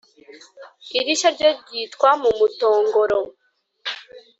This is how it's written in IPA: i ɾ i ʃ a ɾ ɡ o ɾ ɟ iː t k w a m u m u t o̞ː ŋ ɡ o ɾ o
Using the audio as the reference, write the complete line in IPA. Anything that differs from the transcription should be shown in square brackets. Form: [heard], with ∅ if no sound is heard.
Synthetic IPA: i ɾ i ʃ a ɾ [ɟ] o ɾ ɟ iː t k w a m u m u t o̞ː ŋ ɡ o ɾ o

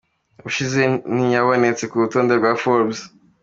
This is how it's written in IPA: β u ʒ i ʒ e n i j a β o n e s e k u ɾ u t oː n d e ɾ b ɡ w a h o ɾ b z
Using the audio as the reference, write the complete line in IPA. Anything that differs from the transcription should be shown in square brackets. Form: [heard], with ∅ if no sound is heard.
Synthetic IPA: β u [ʃ] i [z] e n i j a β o n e [t͡s] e k u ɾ u t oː n d e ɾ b ɡ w a [f] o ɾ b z

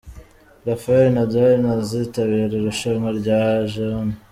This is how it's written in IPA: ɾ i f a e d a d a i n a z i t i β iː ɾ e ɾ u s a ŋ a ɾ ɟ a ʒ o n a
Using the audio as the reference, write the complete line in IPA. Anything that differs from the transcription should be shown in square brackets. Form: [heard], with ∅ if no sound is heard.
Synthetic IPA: ɾ [a] f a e [n] a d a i n a z i t [a] β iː ɾ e ɾ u [ʃ] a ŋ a ɾ ɟ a ʒ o n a

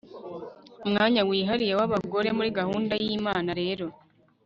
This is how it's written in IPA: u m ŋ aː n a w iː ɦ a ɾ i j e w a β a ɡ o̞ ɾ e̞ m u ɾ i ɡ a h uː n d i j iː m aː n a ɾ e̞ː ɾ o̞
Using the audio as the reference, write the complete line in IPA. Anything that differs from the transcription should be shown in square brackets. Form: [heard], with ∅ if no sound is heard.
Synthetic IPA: u m ŋ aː [ɲ] a w iː ɦ a ɾ i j e w a β a ɡ o̞ ɾ e̞ m u ɾ i ɡ a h uː n d [a] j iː m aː n a ɾ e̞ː ɾ o̞

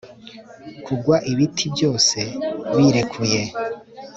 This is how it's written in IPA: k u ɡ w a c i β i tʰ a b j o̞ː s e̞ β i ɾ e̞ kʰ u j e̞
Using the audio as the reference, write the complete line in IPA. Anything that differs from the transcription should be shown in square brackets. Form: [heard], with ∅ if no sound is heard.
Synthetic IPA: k u ɡ w a [ʔ] i β i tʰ [i] b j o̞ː s e̞ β i ɾ e̞ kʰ u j e̞

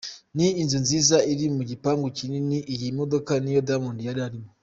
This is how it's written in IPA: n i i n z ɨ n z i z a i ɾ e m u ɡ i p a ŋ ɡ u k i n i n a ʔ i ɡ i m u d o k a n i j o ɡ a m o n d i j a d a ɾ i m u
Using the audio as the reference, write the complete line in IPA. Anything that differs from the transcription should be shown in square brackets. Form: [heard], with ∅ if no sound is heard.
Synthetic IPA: n i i n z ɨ n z i z a i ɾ [i] m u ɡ i p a ŋ ɡ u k i n i n [i] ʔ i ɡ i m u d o k a n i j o [d] a m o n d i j a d a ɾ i m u

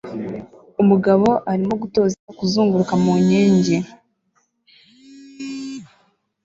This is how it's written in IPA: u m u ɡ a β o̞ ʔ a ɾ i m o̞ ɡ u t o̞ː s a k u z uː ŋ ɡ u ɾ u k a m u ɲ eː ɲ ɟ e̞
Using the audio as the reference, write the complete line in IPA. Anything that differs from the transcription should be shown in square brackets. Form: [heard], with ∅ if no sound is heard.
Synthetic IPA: u m u ɡ a β o̞ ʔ a ɾ i m o̞ ɡ u t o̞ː [z] a k u z uː ŋ ɡ u ɾ u k a m u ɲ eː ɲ ɟ e̞

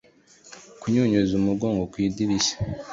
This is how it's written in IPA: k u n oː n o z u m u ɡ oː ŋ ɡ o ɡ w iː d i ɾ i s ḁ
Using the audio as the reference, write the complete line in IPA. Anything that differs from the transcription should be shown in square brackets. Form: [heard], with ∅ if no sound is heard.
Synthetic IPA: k u [ɲ] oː [ɲ] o z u m u ɡ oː ŋ ɡ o [k] w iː d i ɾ i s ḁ

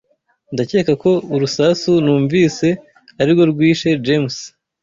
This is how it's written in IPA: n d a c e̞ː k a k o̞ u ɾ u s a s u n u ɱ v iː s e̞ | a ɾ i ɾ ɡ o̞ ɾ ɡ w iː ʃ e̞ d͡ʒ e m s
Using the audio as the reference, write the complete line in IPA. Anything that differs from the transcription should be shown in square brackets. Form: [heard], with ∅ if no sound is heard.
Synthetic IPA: n d a c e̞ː k a k o̞ u ɾ u s a s u n [uː] ɱ v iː s e̞ | a ɾ i ɾ ɡ o̞ ɾ ɡ w iː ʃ e̞ d͡ʒ e m s

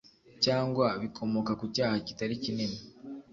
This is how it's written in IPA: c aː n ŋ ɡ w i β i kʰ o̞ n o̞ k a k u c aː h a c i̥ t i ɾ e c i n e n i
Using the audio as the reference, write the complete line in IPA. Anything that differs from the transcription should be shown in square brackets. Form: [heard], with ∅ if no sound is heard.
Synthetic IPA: c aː [∅] ŋ ɡ w [a] β i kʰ o̞ [m] o̞ k a k u c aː h a c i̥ t [a] ɾ [i] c i n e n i

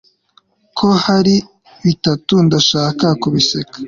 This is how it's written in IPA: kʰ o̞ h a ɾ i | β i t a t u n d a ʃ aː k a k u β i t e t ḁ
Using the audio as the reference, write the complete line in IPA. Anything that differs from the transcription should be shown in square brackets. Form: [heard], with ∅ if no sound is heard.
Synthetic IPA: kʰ o̞ h a ɾ i | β i t a t u n d a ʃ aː k a k u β i [s] e [k] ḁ

